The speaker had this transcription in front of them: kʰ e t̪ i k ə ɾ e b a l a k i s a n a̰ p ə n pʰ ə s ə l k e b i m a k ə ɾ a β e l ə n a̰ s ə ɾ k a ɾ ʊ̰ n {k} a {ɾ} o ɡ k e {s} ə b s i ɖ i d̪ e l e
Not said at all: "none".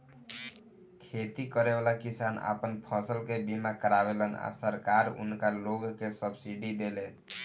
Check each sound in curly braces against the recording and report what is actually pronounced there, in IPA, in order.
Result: k, l, s

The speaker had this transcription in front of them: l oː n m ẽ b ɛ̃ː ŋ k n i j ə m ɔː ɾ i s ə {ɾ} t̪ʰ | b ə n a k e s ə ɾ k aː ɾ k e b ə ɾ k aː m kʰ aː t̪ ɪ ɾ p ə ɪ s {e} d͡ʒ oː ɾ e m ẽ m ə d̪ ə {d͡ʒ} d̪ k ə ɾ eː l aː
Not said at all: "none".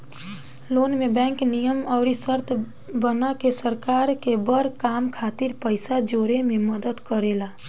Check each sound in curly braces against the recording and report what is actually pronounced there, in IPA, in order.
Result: ɾ, a, none

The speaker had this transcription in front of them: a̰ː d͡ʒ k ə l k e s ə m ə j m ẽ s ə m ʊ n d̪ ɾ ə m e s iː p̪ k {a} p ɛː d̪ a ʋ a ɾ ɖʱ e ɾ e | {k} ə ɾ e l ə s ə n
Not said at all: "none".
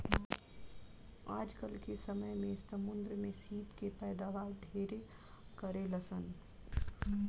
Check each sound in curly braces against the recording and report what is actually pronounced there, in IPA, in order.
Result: e, k

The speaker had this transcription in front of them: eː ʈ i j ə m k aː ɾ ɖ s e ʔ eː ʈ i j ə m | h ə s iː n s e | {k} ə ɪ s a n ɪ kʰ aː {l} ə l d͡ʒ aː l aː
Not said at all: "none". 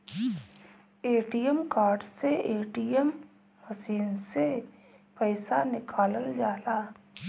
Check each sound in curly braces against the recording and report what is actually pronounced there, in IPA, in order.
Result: p, l

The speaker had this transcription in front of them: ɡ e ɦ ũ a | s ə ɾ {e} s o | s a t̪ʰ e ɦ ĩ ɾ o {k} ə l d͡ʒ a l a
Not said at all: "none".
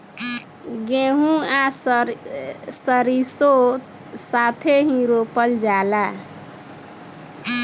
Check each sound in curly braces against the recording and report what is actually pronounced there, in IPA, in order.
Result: i, p

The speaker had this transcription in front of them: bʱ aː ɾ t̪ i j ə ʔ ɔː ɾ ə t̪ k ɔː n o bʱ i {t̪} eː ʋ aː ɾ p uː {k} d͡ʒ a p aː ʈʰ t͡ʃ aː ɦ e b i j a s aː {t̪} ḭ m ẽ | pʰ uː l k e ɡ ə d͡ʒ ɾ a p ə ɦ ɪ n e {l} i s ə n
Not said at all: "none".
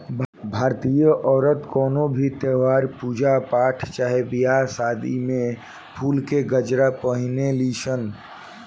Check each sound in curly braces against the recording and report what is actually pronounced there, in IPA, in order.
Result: t̪, none, d̪, l

